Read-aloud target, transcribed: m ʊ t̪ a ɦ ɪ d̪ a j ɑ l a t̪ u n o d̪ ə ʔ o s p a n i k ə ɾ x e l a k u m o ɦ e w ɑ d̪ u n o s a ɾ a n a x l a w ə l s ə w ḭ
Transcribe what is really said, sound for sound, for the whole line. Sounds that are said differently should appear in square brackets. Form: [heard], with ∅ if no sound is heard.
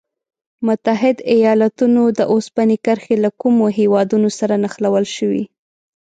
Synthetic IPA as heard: m ʊ t̪ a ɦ ɪ d̪ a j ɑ l a t̪ u n o d̪ ə ʔ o s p a n i k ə ɾ x e l a k u m o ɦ e w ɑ d̪ u n o s a ɾ a n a x l a w ə l [ʃ] ə w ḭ